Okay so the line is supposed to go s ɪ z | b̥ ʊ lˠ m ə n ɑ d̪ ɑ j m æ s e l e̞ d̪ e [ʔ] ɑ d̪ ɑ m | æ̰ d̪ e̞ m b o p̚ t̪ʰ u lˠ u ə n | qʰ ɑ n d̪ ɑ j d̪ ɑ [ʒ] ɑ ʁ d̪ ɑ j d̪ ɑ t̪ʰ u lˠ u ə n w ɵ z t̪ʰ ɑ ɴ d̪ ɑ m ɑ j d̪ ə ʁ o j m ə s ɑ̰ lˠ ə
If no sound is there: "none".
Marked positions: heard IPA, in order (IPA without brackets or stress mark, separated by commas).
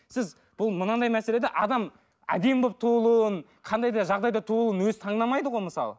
ʔ, ʒ